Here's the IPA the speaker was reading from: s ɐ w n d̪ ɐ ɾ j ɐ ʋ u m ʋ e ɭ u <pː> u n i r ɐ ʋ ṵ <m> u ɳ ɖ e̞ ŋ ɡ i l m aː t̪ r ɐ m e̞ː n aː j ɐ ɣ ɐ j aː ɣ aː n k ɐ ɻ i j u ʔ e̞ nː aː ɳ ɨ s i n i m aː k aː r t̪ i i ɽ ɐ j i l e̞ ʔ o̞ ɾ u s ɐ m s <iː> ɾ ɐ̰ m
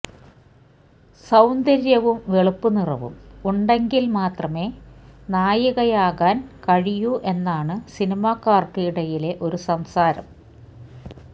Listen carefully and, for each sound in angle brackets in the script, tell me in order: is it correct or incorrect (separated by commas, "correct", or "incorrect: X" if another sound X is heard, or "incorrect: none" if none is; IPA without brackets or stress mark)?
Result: correct, correct, incorrect: aː